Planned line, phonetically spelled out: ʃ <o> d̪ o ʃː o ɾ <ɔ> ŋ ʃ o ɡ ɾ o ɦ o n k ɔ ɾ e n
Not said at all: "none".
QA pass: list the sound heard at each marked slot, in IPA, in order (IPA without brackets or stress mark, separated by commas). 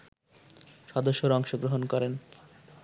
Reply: ɔ, ɔ